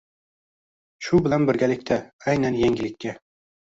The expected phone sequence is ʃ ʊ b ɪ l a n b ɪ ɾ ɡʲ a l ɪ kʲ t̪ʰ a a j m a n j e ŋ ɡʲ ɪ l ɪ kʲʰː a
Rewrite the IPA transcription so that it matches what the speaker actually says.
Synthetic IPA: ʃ ʊ b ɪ l a n b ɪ ɾ ɡʲ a l ɪ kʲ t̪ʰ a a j n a n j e ŋ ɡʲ ɪ l ɪ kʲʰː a